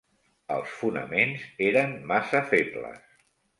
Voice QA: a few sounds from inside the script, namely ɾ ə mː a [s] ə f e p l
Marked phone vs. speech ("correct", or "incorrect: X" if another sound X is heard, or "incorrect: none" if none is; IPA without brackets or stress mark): correct